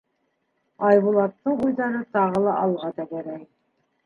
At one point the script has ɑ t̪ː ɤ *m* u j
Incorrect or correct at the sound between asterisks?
incorrect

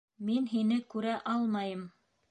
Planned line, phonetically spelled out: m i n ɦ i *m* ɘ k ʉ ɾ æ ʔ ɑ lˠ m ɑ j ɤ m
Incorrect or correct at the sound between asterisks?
incorrect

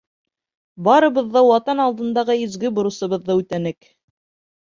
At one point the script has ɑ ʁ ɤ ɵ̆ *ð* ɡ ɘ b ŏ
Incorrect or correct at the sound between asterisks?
incorrect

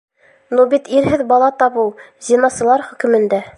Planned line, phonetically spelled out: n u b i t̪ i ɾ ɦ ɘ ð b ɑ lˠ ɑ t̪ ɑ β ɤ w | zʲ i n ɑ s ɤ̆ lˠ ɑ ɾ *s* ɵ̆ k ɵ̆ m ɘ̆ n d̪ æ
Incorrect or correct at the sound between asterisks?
incorrect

